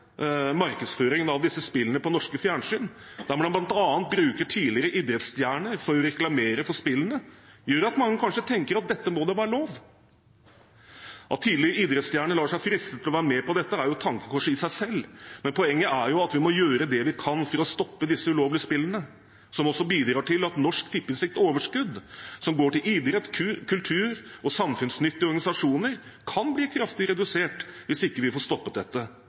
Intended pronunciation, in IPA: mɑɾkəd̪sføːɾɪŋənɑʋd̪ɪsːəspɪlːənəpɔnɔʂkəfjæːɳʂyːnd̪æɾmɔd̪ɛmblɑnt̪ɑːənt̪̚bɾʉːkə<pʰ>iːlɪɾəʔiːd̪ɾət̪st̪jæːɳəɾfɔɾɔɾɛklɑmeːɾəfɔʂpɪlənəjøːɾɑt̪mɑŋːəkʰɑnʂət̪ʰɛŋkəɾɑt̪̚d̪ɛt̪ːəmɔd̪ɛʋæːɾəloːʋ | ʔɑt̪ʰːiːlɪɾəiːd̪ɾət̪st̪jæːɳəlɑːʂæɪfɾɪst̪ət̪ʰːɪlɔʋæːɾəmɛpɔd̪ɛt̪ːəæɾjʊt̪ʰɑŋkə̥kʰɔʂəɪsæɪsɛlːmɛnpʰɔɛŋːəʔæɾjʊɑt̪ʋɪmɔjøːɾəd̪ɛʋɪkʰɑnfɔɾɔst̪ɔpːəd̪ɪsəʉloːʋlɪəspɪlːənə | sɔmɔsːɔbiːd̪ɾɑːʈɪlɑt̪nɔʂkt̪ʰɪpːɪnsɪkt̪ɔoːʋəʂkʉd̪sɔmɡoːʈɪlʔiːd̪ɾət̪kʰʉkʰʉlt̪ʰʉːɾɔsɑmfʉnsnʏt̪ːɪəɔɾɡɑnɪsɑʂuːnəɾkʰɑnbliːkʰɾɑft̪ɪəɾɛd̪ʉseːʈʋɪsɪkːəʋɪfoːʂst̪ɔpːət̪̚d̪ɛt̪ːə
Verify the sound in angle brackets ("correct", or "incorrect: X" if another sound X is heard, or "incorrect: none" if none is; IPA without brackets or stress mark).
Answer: incorrect: ʈʰ